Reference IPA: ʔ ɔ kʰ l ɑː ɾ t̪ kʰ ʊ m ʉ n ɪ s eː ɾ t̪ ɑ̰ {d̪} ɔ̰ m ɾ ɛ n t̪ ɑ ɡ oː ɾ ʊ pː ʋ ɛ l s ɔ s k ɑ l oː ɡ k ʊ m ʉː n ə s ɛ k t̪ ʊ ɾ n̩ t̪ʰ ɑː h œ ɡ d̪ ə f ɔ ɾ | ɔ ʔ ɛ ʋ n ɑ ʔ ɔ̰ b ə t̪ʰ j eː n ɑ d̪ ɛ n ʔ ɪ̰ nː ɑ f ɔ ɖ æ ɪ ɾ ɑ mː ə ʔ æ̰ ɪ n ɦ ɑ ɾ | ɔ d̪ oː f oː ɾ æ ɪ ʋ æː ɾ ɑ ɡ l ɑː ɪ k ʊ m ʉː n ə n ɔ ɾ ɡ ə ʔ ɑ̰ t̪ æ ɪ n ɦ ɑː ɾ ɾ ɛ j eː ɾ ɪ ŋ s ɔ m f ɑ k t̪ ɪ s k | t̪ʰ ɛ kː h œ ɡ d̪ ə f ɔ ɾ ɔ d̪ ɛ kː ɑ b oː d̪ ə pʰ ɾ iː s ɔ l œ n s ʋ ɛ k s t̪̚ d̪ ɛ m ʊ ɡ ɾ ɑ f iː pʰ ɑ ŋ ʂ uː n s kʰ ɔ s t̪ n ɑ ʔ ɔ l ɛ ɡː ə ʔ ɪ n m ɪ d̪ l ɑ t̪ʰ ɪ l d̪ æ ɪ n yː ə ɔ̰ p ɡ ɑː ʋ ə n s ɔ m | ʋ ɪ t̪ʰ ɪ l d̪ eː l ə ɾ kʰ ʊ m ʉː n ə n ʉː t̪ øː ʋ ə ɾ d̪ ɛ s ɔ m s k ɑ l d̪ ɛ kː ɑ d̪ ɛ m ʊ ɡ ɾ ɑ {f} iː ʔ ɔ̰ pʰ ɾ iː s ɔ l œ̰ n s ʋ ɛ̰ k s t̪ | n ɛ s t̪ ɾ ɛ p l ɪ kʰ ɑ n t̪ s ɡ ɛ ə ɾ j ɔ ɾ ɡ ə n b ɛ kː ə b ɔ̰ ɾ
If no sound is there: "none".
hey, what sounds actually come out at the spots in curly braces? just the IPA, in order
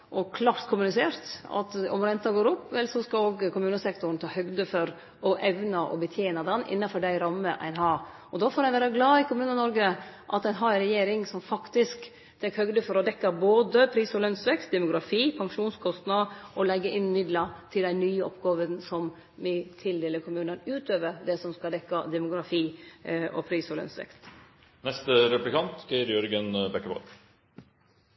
t̪, f

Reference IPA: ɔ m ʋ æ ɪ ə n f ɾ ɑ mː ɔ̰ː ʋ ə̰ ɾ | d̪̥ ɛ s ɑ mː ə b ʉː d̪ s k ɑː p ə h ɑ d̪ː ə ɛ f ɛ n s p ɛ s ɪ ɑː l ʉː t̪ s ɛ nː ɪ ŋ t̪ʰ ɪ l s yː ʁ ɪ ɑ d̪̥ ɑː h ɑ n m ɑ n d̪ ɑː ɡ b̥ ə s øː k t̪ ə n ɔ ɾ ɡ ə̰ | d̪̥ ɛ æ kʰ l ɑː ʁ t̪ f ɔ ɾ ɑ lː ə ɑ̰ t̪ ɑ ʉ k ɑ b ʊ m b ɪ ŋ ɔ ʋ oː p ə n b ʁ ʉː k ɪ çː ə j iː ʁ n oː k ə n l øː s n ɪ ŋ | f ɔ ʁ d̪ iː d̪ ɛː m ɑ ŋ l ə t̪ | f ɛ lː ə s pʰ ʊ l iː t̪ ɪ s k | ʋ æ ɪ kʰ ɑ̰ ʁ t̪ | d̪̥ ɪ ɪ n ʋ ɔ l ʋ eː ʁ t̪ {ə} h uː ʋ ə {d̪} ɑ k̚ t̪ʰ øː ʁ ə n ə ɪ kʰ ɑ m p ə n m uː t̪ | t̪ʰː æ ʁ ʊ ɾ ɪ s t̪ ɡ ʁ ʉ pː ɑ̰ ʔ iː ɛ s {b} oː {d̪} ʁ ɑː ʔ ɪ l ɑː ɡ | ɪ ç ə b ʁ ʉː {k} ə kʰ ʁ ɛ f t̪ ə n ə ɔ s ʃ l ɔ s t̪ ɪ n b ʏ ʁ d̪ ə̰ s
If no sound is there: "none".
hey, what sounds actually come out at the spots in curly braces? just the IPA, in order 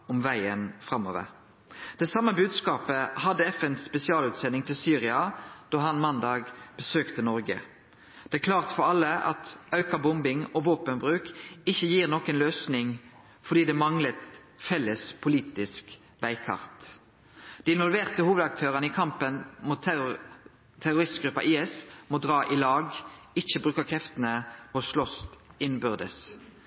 ə, d̪, m, d̪, k

